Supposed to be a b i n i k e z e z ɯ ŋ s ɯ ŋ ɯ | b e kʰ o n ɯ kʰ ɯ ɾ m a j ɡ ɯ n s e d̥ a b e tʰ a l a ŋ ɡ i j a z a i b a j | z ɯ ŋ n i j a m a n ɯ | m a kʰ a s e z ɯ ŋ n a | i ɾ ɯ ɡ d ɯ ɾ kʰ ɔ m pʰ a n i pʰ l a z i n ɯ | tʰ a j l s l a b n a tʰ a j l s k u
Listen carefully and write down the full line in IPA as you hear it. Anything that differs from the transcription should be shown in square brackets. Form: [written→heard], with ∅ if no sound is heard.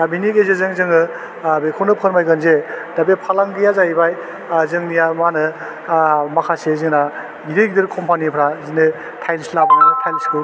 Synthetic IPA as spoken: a b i n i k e z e z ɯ ŋ [s→z] ɯ ŋ ɯ | b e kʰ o n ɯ [kʰ→pʰ] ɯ ɾ m a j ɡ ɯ n [s→z] e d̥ a b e [tʰ→pʰ] a l a ŋ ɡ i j a z a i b a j | z ɯ ŋ n i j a m a n ɯ | m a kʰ a s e z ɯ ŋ n a | i ɾ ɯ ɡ d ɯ ɾ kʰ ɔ m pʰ a n i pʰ [l→ɾ] a z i n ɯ | tʰ a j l s l a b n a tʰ a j l s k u